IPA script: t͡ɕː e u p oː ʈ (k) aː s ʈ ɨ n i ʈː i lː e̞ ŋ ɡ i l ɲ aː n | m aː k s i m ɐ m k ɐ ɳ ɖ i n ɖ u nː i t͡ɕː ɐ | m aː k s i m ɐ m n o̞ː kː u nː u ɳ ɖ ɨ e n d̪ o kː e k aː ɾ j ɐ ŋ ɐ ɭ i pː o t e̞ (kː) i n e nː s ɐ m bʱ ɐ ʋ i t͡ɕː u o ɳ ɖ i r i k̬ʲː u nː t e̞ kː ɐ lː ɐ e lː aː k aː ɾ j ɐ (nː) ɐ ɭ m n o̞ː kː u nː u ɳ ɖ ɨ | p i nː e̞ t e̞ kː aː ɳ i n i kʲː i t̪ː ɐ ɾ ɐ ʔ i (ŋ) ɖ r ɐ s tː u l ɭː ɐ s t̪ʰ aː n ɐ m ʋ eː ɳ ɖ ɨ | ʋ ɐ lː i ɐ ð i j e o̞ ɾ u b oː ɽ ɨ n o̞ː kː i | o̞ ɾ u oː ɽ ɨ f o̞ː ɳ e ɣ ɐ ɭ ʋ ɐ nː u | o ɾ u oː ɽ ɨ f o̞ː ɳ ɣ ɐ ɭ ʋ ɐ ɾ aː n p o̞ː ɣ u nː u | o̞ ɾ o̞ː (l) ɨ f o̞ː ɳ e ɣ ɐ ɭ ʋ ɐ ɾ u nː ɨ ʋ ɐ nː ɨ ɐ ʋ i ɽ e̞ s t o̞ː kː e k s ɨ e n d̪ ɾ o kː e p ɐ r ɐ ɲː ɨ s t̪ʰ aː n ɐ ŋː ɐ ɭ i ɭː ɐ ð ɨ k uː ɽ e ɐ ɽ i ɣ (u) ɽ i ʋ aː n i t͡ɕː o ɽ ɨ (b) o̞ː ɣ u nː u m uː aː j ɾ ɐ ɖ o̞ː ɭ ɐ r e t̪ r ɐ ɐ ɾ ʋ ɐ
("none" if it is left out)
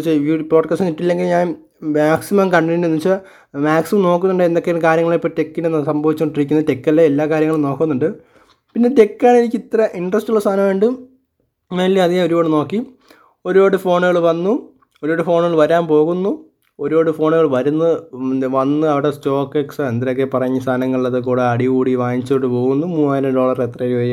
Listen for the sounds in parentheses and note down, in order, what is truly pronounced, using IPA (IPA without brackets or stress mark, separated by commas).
k, kː, ŋː, ɳ, ɽ, uː, p